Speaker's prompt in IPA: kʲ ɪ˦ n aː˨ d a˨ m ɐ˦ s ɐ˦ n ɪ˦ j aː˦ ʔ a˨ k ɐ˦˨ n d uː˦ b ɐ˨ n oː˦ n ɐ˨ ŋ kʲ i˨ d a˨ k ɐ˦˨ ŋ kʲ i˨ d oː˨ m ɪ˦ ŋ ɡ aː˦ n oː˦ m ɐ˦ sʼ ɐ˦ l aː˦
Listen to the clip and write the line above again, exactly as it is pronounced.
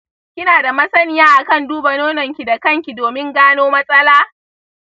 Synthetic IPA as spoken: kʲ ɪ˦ n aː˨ d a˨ m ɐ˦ s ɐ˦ n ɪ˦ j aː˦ ʔ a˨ k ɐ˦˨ n d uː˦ b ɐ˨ n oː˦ n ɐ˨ ŋ kʲ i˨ d a˨ k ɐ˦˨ ŋ kʲ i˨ d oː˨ m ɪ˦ ŋ ɡ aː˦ n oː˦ m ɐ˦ sʼ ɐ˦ l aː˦